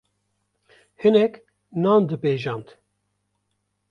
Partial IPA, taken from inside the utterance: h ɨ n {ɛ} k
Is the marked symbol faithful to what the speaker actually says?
yes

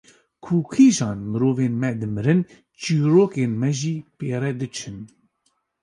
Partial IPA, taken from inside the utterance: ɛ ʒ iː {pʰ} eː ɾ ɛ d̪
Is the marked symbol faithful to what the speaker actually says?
no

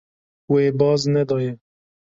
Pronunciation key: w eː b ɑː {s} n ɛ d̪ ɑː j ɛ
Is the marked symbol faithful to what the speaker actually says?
no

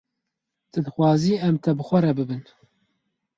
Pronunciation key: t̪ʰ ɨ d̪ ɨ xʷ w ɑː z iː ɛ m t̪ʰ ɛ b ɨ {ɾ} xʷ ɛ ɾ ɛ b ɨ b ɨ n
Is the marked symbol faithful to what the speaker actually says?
no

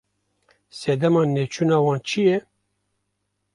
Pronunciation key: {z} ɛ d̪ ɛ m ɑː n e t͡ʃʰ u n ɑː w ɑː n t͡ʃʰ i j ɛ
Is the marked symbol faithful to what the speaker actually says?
no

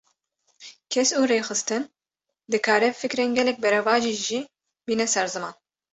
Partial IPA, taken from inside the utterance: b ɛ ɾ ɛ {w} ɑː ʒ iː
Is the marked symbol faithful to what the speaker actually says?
no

